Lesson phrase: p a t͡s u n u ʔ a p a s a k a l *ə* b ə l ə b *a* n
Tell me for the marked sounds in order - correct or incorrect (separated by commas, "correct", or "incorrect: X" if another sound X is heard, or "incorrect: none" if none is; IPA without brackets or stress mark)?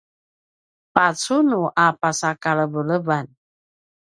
correct, correct